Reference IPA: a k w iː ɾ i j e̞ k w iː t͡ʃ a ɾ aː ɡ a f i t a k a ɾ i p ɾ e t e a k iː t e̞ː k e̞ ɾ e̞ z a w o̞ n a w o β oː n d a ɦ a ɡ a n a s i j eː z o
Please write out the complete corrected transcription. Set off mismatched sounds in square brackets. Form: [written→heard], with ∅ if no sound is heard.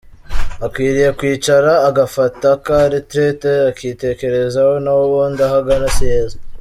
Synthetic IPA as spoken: a k w iː ɾ i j e̞ k w iː t͡ʃ a ɾ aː ɡ a f [i→a] t a k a ɾ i [p→t] ɾ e t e a k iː t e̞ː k e̞ ɾ e̞ z a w o̞ n a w o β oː n d a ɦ a ɡ a n a s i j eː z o